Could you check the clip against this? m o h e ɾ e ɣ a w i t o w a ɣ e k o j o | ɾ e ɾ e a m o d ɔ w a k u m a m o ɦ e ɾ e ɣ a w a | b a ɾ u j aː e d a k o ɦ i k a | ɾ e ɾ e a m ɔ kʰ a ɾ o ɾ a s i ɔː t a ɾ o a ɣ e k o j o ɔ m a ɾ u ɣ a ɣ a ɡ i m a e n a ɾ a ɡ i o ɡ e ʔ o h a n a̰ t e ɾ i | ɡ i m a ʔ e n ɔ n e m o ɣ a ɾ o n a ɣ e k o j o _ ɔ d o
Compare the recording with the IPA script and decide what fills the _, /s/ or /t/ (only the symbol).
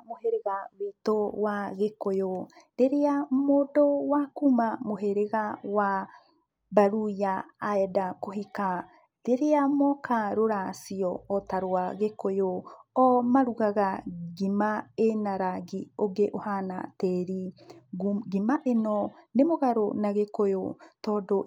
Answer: t